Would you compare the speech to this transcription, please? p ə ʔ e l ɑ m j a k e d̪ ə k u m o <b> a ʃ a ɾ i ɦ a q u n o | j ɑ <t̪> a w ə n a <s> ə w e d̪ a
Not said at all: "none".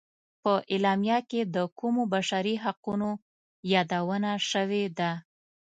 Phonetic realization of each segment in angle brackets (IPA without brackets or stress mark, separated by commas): b, d̪, ʃ